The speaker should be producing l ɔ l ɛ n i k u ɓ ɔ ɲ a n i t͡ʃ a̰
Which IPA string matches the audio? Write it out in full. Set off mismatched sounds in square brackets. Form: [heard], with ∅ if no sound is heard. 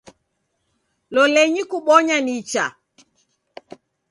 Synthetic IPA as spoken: l ɔ l ɛ [ɲ] i k u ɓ ɔ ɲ a n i t͡ʃ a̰